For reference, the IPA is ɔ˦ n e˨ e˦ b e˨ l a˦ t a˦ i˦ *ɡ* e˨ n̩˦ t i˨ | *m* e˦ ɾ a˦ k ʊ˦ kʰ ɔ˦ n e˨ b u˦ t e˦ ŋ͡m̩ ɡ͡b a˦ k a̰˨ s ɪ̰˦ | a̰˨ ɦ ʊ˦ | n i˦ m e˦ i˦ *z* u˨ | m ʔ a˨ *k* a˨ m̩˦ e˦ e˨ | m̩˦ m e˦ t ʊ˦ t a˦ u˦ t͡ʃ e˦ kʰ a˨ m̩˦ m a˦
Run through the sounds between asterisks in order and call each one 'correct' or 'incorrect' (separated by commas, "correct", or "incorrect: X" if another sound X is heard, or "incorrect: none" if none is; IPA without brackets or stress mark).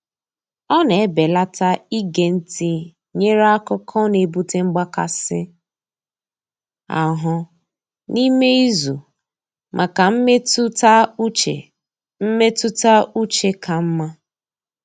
correct, incorrect: ɲ, correct, correct